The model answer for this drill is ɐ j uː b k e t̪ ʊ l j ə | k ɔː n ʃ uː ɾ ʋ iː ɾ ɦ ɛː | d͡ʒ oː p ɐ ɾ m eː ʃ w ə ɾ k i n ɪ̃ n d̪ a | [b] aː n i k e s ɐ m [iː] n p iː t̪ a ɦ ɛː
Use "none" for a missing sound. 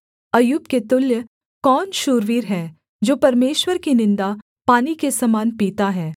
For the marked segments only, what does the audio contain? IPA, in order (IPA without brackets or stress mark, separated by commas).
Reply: p, aː